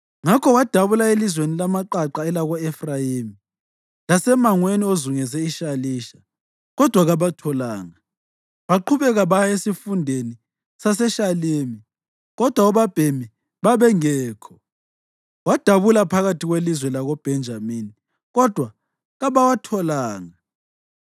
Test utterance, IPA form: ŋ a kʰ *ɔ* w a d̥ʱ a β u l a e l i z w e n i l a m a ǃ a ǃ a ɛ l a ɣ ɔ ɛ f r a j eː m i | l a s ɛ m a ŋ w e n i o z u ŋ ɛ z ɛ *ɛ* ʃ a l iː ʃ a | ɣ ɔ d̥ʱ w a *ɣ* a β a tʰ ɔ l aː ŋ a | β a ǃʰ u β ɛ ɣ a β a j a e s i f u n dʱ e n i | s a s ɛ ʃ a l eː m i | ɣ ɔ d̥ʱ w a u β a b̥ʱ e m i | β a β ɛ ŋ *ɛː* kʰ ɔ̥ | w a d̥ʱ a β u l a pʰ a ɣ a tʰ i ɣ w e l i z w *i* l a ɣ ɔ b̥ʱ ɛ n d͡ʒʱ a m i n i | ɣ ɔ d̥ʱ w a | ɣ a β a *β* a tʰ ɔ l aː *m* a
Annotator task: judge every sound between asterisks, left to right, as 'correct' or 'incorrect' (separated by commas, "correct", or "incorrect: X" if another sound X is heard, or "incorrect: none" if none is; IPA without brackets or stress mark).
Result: correct, incorrect: i, correct, correct, incorrect: ɛ, incorrect: w, incorrect: ŋ